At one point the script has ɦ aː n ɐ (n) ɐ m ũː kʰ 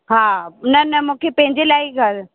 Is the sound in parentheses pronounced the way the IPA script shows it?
yes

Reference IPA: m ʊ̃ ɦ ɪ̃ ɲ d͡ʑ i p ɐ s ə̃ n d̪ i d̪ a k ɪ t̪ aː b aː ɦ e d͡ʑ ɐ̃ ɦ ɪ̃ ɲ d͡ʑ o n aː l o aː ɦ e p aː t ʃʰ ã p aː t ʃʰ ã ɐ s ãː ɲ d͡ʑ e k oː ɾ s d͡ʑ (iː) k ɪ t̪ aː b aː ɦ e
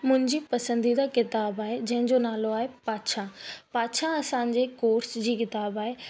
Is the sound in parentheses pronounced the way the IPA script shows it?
yes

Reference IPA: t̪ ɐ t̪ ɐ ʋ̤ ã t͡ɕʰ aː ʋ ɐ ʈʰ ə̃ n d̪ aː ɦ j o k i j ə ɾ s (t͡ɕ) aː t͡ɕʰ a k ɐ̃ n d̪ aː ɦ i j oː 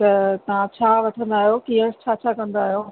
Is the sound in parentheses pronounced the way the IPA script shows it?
no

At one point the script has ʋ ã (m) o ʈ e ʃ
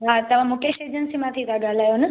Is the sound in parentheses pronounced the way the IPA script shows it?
yes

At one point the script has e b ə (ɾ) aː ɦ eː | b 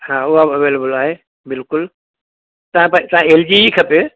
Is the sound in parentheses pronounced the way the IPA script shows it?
no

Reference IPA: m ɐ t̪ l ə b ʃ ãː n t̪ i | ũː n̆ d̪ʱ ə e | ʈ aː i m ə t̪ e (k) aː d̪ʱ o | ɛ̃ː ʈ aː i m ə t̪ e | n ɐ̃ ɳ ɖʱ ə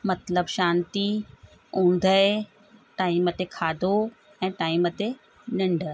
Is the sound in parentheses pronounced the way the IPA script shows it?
no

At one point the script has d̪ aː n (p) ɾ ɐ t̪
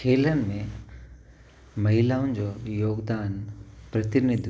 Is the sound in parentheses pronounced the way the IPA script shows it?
yes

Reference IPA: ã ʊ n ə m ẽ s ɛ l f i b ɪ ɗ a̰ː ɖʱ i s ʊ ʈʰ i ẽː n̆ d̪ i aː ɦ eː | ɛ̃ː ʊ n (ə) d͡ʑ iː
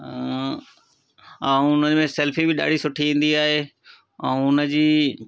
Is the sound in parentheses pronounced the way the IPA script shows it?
yes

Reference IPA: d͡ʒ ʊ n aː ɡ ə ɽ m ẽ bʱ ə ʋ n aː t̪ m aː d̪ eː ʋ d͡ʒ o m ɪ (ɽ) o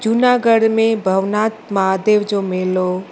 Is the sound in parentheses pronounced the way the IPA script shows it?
no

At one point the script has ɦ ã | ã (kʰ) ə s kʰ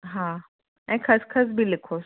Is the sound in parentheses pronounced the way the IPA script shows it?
yes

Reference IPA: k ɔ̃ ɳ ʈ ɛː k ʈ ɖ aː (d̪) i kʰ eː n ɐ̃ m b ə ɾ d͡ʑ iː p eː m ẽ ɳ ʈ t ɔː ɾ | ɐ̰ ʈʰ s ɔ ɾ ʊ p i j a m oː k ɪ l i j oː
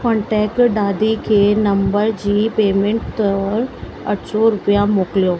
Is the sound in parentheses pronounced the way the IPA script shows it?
yes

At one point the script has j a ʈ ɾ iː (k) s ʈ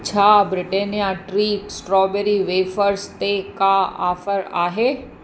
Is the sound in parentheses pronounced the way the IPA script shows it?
yes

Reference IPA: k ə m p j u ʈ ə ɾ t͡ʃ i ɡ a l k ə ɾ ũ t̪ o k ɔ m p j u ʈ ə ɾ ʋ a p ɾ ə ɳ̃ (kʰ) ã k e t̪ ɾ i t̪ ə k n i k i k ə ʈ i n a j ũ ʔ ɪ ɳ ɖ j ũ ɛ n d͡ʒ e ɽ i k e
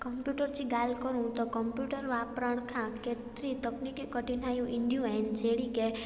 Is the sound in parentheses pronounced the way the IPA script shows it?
yes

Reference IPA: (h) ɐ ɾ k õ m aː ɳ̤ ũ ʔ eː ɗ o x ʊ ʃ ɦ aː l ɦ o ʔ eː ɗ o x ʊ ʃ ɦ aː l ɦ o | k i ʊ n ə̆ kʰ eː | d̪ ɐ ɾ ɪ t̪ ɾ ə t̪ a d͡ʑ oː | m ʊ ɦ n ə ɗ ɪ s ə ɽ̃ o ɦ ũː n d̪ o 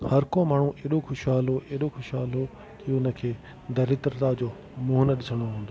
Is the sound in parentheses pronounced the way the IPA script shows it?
yes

